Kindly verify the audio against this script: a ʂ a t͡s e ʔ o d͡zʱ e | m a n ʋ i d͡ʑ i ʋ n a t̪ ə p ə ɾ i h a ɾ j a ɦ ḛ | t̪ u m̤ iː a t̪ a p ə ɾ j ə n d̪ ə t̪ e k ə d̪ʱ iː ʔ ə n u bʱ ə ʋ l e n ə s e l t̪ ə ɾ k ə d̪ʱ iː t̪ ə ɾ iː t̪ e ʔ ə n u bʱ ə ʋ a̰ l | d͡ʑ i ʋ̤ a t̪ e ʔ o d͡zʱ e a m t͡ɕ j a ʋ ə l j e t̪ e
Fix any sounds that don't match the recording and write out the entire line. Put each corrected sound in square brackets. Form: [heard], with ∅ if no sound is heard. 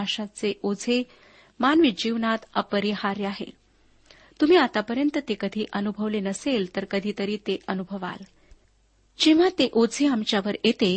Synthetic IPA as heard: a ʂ a t͡s e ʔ o d͡zʱ e | m a n ʋ i d͡ʑ i ʋ n a t̪ ə p ə ɾ i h a ɾ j a ɦ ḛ | t̪ u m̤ iː a t̪ a p ə ɾ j ə n [t̪] ə t̪ e k ə d̪ʱ iː ʔ ə n u bʱ ə ʋ l e n ə s e l t̪ ə ɾ k ə d̪ʱ iː t̪ ə ɾ iː t̪ e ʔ ə n u bʱ ə ʋ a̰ l | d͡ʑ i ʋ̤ a t̪ e ʔ o d͡zʱ e a m t͡ɕ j a ʋ ə [ɾ] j e t̪ e